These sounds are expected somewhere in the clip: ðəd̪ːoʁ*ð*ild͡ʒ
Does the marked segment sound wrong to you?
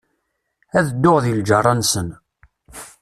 no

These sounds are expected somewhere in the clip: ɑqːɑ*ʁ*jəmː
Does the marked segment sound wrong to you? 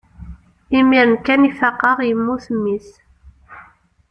no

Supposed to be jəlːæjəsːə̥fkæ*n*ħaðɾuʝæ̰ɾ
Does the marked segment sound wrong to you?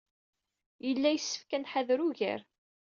no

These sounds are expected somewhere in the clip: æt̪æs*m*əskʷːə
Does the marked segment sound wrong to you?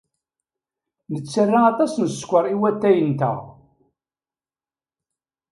yes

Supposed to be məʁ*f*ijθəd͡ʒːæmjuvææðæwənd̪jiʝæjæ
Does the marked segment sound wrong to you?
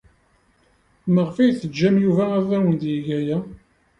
no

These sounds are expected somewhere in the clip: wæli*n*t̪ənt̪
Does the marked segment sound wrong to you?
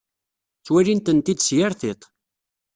no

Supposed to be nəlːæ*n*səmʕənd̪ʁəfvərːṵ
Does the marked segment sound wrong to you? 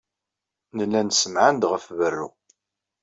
no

